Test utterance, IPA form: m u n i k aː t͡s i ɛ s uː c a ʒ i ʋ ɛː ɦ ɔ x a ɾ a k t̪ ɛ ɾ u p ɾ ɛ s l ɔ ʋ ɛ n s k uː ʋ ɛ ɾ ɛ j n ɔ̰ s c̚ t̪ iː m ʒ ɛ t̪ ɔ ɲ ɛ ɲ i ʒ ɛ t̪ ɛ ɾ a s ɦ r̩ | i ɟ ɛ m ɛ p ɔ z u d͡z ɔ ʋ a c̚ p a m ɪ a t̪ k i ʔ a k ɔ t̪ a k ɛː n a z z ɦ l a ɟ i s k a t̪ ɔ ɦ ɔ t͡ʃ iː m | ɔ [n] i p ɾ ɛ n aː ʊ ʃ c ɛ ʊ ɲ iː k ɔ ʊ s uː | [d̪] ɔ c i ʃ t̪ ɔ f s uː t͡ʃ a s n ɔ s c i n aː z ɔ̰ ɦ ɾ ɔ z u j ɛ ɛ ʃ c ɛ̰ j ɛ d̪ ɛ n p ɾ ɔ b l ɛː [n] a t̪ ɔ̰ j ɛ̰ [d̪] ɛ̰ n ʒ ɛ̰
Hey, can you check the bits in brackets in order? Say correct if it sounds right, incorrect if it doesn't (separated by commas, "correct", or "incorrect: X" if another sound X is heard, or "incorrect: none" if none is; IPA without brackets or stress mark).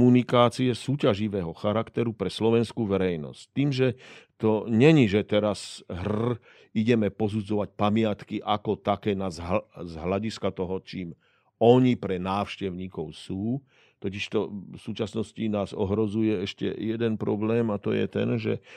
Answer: incorrect: ɲ, incorrect: t̪, incorrect: m, incorrect: t̪